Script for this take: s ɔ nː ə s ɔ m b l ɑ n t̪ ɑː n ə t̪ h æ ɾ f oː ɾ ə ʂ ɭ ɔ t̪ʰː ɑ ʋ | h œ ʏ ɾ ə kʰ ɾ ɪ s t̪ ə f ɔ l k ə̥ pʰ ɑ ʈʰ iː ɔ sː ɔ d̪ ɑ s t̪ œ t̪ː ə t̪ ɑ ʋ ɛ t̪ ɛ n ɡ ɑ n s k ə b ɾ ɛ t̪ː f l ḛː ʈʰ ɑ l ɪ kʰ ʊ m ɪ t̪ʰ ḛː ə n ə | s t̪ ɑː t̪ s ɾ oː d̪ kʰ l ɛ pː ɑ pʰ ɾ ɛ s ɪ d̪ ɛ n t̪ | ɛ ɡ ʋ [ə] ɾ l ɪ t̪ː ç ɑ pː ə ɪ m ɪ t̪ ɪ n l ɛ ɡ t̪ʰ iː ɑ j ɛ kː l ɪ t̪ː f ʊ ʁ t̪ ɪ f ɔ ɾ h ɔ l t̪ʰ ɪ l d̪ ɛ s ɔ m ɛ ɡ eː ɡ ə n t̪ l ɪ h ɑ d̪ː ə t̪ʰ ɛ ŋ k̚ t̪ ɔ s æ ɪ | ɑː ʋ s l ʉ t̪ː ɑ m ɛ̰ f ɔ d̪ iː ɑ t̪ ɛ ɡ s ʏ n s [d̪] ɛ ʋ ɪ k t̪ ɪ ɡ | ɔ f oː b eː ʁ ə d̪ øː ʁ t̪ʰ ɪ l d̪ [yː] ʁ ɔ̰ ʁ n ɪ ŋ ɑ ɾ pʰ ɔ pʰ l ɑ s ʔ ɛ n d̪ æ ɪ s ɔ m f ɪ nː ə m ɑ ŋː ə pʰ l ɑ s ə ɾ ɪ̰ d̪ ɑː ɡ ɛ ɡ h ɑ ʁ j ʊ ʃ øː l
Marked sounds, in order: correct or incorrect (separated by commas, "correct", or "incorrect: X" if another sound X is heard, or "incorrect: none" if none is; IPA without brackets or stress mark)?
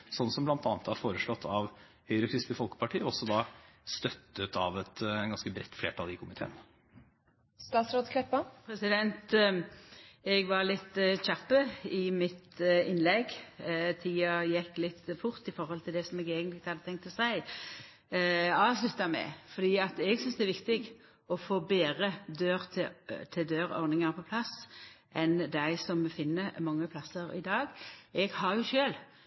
incorrect: ɑ, correct, incorrect: øː